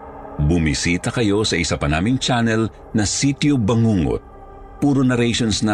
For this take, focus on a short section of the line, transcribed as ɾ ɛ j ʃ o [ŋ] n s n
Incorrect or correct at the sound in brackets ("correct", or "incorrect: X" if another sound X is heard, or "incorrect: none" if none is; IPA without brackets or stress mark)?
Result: incorrect: none